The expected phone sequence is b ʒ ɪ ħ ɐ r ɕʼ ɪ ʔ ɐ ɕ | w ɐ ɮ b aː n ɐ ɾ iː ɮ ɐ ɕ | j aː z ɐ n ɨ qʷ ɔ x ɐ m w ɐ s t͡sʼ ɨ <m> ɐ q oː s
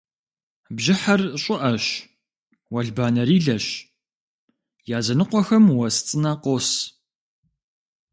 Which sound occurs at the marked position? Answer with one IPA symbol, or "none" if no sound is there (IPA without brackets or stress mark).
n